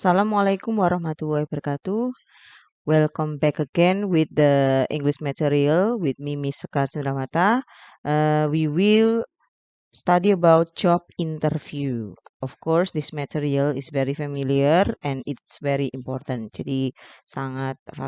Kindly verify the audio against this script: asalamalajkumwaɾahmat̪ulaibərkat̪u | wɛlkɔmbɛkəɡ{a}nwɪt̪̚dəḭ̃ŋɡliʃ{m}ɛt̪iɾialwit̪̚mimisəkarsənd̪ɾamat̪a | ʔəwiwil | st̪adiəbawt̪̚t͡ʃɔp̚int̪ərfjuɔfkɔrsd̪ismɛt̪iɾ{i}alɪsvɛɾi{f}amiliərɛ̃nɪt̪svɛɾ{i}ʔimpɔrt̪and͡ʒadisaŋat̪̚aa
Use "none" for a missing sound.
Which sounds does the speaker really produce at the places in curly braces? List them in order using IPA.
ɛ, m, i, f, i

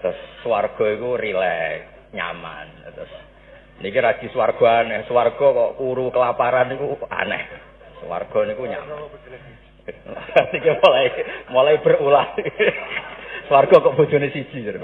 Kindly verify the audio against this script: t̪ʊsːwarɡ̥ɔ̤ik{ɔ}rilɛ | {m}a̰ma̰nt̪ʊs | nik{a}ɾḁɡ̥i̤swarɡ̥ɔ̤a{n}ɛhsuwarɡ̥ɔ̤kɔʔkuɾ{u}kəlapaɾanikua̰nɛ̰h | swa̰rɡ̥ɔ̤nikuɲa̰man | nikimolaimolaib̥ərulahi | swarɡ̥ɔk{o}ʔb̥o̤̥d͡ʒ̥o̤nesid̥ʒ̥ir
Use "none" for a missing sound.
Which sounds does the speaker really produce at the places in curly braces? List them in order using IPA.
u, ɲ, i, n, u, ɔ

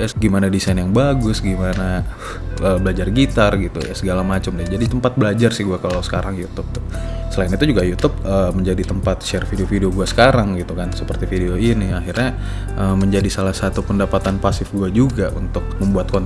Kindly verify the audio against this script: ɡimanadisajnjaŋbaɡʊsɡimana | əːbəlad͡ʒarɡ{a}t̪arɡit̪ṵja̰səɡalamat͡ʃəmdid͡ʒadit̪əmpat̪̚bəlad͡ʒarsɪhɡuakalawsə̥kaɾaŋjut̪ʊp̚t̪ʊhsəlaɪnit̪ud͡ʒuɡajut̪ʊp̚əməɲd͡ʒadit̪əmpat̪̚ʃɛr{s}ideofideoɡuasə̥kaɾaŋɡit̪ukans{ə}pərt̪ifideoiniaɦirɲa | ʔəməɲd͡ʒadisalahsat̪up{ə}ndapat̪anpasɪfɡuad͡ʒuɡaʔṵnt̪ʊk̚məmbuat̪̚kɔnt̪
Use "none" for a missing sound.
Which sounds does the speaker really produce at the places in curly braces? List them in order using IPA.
i, f, ə, ə

